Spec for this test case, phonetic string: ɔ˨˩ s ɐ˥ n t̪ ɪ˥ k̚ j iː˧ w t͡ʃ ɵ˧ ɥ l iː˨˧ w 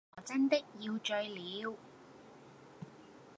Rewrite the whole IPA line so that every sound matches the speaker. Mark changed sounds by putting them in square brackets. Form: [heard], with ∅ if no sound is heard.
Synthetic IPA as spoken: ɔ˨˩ [t͡s] ɐ˥ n t̪ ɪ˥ k̚ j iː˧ w t͡ʃ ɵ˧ ɥ l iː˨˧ w